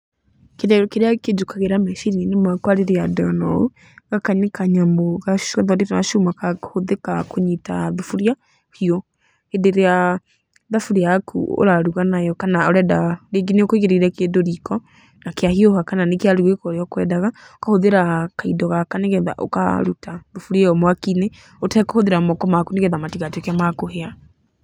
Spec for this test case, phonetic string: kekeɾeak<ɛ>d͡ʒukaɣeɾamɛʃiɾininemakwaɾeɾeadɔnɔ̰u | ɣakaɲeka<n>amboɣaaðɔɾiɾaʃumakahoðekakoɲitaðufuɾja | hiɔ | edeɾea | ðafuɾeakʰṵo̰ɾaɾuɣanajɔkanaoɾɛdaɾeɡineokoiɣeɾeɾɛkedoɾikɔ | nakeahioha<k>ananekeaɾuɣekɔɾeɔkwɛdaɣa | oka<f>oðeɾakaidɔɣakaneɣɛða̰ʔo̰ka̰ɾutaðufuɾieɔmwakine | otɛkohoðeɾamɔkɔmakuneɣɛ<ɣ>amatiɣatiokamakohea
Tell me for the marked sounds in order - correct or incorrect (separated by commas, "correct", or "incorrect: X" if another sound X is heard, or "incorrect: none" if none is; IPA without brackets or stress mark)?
incorrect: e, incorrect: ɲ, correct, incorrect: h, incorrect: ð